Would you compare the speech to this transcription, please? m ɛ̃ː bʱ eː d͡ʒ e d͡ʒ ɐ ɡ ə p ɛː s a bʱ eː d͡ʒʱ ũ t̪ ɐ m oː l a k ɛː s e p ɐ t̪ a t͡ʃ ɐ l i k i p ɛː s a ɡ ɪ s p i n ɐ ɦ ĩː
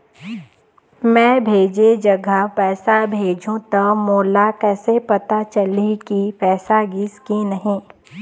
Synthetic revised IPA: m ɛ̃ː bʱ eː d͡ʒ e d͡ʒ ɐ ɡ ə p ɛː s a bʱ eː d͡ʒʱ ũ t̪ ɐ m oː l a k ɛː s e p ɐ t̪ a t͡ʃ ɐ l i k i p ɛː s a ɡ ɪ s k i n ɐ ɦ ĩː